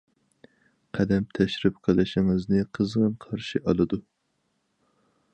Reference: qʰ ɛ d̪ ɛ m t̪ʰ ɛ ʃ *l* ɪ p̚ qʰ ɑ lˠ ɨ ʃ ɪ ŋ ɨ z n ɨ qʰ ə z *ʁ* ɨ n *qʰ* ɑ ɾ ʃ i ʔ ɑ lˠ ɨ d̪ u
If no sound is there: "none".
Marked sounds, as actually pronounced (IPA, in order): ɾ, ʁ, qʰ

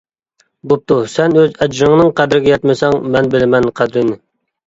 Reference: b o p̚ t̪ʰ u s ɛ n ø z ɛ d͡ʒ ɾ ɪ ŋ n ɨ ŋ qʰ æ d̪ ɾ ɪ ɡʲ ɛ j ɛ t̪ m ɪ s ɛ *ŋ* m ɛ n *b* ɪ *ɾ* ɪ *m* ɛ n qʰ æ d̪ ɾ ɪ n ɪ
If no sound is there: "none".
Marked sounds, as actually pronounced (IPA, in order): ŋ, b, l, m

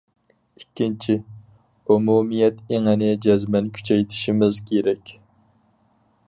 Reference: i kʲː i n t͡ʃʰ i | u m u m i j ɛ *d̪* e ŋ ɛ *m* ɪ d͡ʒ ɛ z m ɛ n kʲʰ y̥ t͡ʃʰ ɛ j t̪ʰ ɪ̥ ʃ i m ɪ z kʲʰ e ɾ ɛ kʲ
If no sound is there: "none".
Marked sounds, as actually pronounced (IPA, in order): t̪, n

